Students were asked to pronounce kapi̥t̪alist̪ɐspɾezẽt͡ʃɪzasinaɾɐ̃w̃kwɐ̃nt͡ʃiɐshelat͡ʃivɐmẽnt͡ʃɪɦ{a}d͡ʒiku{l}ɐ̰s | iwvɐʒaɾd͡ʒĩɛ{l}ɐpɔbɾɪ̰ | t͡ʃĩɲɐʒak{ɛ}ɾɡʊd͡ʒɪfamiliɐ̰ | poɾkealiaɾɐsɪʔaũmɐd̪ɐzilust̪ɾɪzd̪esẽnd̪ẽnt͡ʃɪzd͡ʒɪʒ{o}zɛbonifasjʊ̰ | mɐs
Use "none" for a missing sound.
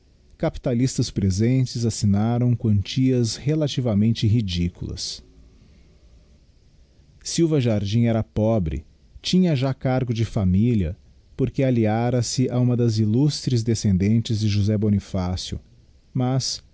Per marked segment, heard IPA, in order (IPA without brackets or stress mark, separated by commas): i, l, ɾ, a, u